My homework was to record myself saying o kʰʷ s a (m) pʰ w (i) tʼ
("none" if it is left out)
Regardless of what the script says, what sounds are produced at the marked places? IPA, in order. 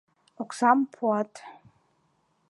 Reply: m, a

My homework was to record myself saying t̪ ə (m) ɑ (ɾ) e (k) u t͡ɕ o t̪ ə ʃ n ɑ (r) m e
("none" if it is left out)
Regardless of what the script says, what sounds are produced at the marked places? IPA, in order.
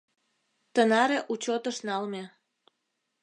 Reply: n, ɾ, ʔ, l

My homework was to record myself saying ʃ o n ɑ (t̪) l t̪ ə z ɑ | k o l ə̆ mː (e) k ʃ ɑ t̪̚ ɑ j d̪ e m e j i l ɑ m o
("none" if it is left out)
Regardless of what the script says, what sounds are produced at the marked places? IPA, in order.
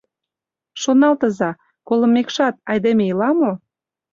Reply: none, e

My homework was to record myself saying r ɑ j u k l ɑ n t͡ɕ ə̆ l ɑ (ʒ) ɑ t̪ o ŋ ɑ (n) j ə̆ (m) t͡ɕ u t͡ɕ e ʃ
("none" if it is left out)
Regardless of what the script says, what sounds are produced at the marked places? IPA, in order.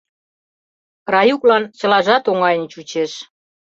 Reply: ʒ, none, n

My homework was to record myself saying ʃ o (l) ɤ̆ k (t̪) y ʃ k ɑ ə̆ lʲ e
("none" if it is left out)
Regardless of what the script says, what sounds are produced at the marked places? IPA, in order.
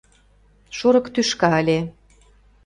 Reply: ɾ, t̪

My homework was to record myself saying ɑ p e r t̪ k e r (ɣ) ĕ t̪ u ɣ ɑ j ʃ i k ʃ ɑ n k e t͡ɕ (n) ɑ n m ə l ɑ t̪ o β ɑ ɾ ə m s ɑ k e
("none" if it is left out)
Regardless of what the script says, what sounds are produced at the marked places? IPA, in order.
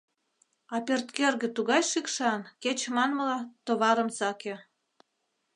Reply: ɣ, m

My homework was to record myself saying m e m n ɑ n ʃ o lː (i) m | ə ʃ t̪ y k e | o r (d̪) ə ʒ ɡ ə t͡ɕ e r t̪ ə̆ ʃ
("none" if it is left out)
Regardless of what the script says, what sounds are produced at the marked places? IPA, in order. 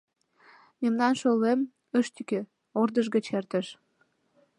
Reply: e, d̪

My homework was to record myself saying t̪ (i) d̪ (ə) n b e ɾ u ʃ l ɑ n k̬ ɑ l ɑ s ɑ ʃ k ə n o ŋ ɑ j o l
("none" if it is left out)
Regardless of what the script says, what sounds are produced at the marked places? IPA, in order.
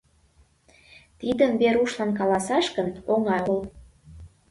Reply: i, ə

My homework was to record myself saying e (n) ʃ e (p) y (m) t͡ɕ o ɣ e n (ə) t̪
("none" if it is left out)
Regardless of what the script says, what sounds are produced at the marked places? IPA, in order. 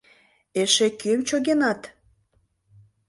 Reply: none, k, m, ɑ

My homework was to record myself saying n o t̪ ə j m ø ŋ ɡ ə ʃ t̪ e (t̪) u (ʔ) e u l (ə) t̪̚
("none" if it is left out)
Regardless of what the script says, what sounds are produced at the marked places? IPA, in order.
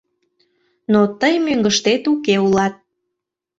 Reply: t̪, k, ɑ

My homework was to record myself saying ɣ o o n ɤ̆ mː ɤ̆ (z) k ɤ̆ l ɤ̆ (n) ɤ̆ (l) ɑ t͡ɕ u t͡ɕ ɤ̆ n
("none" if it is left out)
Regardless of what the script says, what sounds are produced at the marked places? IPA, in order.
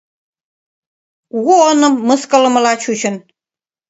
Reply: s, m, l

